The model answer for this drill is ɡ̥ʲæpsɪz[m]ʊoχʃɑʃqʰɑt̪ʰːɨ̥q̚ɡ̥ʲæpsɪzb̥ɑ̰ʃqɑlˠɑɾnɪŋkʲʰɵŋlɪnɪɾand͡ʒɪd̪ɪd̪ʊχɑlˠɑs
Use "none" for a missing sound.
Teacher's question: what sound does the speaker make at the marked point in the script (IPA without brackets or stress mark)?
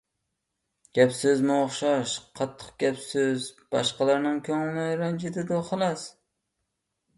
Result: m